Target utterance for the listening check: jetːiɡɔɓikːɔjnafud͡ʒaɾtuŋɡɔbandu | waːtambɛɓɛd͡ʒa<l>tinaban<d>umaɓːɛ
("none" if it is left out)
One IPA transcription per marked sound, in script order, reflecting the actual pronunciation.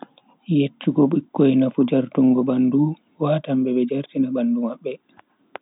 ɾ, d

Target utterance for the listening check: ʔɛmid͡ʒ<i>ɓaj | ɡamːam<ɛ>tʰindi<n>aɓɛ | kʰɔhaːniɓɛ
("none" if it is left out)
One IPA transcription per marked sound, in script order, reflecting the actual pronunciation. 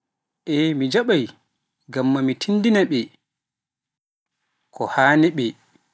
a, i, n

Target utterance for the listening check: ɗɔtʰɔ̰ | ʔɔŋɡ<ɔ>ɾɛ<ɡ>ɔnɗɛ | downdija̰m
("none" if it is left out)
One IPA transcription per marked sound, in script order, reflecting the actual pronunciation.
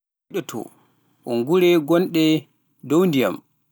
u, ɡ

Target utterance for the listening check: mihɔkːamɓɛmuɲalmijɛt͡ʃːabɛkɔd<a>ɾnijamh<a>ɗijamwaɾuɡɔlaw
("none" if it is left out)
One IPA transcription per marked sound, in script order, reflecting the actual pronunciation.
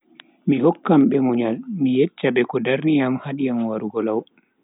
a, a

